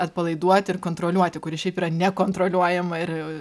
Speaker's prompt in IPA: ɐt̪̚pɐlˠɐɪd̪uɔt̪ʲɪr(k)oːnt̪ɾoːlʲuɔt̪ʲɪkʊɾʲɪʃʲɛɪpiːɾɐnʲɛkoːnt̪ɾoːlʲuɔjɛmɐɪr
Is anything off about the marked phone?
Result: no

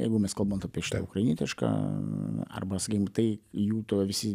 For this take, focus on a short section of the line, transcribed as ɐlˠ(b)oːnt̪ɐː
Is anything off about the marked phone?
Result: no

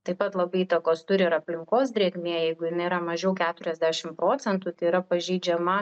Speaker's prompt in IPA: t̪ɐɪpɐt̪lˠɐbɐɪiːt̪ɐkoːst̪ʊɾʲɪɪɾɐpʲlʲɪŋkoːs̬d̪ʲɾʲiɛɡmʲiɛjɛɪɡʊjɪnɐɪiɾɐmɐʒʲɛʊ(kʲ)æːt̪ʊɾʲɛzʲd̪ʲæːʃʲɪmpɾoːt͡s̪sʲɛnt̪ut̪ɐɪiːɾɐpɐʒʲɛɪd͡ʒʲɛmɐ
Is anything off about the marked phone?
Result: no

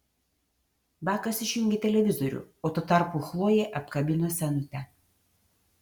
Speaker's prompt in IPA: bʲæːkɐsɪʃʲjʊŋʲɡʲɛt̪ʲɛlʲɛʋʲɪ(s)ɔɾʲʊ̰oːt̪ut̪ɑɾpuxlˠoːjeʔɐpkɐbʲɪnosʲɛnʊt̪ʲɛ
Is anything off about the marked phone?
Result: yes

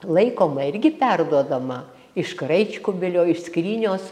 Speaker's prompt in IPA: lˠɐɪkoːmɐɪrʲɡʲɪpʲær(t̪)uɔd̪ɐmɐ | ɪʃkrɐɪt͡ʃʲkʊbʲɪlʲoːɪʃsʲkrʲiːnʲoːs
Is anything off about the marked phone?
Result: yes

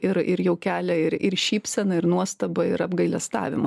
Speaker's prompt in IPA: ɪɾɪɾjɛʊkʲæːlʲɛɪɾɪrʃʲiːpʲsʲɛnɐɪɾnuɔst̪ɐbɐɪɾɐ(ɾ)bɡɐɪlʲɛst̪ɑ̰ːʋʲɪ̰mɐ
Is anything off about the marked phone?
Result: yes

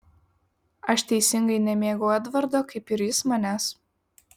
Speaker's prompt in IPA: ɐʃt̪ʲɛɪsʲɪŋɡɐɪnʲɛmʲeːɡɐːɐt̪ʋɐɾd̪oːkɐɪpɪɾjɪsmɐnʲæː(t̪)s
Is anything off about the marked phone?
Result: yes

